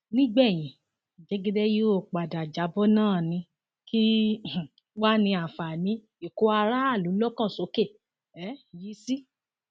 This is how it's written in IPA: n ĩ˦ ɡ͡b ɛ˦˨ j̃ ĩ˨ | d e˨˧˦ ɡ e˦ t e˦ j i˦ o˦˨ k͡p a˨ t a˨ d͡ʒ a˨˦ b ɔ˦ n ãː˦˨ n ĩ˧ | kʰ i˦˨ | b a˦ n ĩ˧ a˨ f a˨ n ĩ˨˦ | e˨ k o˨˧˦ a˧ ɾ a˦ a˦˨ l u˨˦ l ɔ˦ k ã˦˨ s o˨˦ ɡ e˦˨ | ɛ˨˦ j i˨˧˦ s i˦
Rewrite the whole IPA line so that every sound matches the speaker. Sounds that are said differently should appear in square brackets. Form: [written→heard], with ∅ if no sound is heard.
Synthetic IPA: n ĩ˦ ɡ͡b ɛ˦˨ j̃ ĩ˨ | [d→d͡ʒ] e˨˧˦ ɡ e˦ [t→d] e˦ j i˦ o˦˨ k͡p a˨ [t→d] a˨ d͡ʒ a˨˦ b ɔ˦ n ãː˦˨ n ĩ˧ | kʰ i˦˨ | [b→w] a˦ n ĩ˧ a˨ f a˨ n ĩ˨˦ | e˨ k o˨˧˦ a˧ ɾ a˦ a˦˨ l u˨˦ l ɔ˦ k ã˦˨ s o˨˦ [ɡ→k] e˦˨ | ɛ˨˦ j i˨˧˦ s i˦